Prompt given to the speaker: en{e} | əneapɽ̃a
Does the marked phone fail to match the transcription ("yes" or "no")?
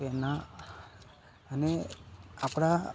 yes